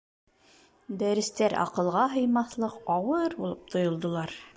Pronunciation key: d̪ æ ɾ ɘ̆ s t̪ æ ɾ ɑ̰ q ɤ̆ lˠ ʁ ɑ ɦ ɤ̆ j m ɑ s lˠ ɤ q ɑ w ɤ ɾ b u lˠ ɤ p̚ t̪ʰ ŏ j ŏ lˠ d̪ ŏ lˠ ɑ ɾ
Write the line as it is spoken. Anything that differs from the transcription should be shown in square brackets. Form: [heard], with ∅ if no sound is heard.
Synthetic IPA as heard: d̪ æ ɾ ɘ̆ s t̪ æ ɾ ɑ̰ q ɤ̆ lˠ ʁ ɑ ɦ ɤ̆ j m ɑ [θ] lˠ ɤ q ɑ w ɤ ɾ b u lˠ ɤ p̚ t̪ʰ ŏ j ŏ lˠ d̪ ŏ lˠ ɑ ɾ